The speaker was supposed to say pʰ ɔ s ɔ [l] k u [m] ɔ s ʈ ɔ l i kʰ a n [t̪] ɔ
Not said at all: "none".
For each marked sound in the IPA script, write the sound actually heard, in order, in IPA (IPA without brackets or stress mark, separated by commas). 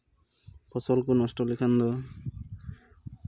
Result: l, n, d̪